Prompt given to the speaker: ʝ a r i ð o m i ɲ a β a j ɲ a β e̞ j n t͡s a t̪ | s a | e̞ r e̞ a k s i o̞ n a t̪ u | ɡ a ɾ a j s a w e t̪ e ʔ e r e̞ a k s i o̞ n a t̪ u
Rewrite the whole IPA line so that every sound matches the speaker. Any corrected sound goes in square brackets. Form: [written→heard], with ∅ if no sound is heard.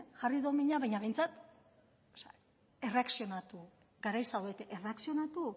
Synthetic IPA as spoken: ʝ a r i ð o m i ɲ a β a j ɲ a β e̞ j n t͡s a t̪ | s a | e̞ r e̞ a k s i o̞ n a t̪ u | ɡ a ɾ a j s a w e t̪ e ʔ e r e̞ a k s i o̞ n a t̪ u